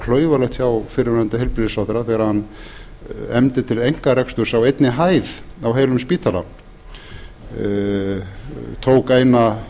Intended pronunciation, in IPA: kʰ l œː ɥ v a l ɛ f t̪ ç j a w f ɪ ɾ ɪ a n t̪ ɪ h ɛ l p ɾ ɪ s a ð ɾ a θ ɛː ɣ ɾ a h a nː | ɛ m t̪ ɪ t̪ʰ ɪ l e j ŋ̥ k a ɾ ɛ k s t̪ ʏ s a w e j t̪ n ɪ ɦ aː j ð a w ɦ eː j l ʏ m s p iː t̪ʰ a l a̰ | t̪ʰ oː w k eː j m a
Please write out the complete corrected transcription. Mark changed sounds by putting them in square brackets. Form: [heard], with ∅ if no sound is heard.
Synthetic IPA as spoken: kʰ l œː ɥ v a l ɛ [x] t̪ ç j a w f ɪ ɾ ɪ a n t̪ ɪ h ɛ l p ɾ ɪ s a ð ɾ a θ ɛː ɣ ɾ a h a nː | ɛ m t̪ ɪ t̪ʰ ɪ l e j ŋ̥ k a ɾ ɛ k s t̪ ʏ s a w e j t̪ n ɪ ɦ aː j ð a w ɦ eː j l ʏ m s p iː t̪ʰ a l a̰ | t̪ʰ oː w k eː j [n] a